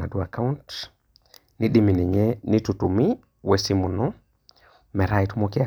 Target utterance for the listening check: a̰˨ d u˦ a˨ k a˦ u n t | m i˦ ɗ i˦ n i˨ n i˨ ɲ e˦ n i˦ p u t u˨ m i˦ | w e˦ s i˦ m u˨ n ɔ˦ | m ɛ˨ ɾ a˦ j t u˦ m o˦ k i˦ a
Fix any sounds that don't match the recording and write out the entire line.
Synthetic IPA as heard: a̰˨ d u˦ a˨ k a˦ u n t | n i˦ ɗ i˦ m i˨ n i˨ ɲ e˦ n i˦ t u t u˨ m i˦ | w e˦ s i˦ m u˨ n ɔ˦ | m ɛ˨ ɾ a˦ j t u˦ m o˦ k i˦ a